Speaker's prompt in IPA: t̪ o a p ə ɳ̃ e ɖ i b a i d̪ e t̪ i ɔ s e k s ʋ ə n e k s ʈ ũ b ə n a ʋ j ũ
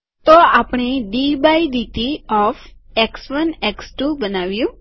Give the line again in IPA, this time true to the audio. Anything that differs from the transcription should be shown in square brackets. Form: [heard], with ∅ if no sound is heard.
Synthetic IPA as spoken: t̪ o a p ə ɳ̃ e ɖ i b a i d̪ [i] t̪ i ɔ [f] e k s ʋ ə n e k s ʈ [u] b ə n a ʋ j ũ